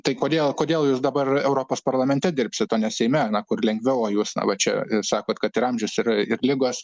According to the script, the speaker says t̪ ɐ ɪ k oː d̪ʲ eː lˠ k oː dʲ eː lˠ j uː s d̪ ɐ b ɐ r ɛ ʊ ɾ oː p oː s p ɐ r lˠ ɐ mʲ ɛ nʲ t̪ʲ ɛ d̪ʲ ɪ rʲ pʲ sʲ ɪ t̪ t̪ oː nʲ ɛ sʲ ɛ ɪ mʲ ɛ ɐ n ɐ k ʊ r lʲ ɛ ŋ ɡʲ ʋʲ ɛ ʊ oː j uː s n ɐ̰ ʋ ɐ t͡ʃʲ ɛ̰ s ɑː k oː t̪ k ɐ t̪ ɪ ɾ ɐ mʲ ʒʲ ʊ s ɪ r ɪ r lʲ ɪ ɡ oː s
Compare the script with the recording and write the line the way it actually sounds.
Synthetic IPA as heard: t̪ ɐ ɪ k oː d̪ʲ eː lˠ k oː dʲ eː lˠ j uː s d̪ ɐ b ɐ r ɛ ʊ ɾ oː p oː s p ɐ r lˠ ɐ mʲ ɛ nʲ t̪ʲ ɛ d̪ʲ ɪ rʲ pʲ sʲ ɪ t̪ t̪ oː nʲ ɛ sʲ ɛ ɪ mʲ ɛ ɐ n ɐ k ʊ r lʲ ɛ ŋ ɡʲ ʋʲ ɛ ʊ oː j uː s n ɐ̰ ʋ ɐ t͡ʃʲ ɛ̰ s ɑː k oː t̪ k ɐ t̪ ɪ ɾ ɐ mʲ ʒʲ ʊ s ɪ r ɪ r lʲ ɪ ɡ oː s